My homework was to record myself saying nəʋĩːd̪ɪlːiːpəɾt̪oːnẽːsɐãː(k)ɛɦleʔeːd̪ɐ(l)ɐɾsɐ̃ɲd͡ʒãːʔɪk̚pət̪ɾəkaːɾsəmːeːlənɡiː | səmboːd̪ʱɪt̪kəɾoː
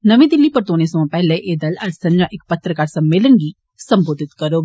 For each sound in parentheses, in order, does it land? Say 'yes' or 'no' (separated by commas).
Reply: no, yes